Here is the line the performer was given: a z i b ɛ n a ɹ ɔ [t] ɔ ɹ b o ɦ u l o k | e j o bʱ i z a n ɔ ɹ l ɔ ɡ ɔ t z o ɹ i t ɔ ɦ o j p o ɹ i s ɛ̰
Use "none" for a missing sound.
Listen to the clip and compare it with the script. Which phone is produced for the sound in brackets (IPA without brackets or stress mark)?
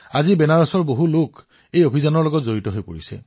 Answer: s